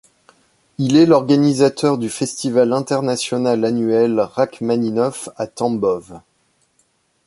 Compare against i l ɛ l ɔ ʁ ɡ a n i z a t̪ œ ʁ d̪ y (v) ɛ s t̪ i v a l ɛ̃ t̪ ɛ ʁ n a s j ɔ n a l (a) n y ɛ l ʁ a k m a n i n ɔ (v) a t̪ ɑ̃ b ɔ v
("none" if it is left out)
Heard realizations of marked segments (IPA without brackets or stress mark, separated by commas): f, a, f